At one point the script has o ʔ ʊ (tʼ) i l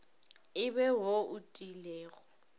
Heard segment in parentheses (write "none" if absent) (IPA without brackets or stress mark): tʼ